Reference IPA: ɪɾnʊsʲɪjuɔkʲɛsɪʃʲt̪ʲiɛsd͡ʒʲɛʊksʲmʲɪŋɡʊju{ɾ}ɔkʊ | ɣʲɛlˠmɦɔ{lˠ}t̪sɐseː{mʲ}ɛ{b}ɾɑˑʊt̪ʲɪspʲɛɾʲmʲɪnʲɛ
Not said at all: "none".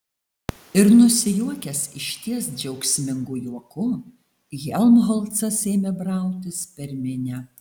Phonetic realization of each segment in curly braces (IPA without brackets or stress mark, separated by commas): none, lˠ, mʲ, b